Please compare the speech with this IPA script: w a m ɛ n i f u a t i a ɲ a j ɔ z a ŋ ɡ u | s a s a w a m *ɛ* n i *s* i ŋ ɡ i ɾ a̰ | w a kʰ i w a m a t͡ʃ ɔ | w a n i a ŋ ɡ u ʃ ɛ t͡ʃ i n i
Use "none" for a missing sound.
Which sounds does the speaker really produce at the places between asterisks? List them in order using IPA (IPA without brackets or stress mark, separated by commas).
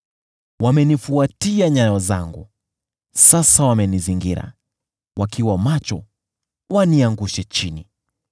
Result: ɛ, z